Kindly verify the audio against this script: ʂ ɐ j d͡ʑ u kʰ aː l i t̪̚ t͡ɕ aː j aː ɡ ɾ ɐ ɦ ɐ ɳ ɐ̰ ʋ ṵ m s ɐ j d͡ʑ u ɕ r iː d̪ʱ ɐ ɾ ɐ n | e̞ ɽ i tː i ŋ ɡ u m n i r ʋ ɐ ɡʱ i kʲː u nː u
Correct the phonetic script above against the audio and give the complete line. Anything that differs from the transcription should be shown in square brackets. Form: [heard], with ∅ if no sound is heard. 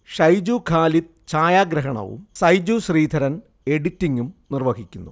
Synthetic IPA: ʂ ɐ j d͡ʑ u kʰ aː l i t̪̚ t͡ɕ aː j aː ɡ ɾ ɐ ɦ ɐ ɳ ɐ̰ ʋ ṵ m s ɐ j d͡ʑ u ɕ r iː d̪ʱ ɐ ɾ ɐ n | e̞ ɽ i tː i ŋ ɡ u m n i r ʋ ɐ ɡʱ i kʲː u nː u